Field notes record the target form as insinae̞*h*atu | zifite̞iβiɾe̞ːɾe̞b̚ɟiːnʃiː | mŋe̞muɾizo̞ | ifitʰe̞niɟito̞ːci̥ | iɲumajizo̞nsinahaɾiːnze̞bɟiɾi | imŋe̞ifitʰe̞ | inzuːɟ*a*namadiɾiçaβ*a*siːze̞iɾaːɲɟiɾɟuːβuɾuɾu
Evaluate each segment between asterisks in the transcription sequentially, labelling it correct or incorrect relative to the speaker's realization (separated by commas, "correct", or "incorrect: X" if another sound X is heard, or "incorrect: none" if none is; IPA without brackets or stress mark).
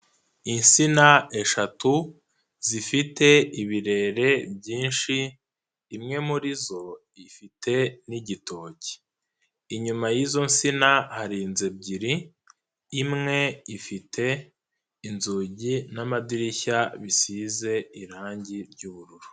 incorrect: ʃ, incorrect: i, incorrect: i